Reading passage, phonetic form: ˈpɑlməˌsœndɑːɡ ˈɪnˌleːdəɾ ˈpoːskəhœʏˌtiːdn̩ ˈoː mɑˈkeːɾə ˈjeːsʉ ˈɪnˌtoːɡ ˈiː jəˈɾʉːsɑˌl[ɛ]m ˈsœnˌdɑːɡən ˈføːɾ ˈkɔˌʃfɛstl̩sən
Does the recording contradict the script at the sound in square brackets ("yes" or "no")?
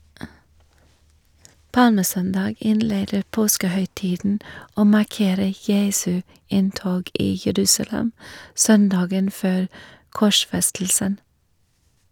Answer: no